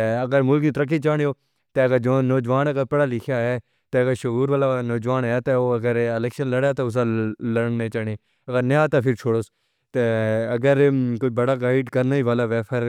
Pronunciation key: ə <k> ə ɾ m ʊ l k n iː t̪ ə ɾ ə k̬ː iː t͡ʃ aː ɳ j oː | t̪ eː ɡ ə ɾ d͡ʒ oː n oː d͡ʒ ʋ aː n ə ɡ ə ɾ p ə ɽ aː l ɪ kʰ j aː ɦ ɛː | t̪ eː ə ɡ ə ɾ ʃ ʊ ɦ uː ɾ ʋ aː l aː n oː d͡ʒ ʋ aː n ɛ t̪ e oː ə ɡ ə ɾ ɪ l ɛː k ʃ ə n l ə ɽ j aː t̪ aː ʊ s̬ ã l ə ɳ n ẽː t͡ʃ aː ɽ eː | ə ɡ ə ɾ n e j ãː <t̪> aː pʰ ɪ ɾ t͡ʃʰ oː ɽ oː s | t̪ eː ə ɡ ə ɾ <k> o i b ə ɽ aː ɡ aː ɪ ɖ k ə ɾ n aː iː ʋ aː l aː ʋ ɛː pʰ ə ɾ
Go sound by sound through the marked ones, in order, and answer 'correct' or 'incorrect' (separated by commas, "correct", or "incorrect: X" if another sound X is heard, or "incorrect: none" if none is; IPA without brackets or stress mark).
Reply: incorrect: ɡ, correct, correct